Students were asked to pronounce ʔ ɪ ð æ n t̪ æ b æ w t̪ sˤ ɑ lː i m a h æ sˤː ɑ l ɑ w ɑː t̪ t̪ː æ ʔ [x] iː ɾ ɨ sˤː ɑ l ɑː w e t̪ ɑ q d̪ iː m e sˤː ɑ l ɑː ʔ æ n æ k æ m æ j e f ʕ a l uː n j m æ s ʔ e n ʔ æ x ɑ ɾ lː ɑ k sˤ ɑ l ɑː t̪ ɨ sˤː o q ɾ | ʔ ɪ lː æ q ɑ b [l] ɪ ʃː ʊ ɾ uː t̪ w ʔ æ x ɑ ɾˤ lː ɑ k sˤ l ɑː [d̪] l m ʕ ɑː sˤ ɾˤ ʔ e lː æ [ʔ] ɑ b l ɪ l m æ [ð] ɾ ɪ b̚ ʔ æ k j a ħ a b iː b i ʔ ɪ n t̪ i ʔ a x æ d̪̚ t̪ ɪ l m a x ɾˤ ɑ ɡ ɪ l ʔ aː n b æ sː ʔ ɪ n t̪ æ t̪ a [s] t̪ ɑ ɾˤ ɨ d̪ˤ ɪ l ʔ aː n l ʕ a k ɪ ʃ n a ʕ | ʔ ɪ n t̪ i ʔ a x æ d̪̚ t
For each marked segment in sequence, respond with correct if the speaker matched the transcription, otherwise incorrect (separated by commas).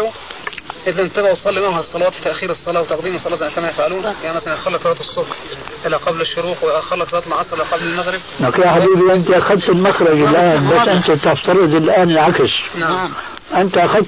correct, correct, incorrect, incorrect, incorrect, incorrect